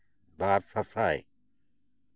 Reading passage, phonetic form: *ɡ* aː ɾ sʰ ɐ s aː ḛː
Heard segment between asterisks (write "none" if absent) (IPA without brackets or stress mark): b